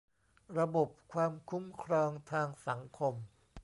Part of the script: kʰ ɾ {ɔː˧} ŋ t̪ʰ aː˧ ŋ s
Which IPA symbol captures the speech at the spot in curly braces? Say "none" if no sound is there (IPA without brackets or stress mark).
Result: ɔː˧